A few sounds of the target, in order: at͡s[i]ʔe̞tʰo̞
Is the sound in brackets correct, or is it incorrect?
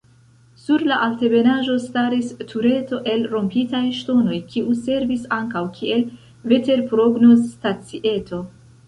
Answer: correct